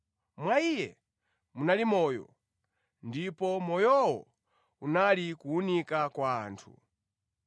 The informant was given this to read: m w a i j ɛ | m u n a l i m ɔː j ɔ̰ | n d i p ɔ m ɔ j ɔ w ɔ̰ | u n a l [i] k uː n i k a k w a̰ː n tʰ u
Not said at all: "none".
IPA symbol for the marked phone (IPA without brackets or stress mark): i